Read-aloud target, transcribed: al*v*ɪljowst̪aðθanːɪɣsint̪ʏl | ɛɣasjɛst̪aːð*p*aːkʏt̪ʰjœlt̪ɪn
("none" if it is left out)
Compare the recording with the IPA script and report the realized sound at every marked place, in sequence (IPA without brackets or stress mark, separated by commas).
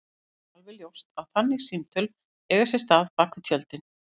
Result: v, p